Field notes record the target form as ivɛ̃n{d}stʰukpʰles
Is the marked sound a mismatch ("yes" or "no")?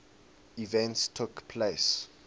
yes